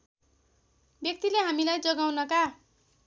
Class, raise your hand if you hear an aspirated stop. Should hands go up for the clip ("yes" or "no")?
no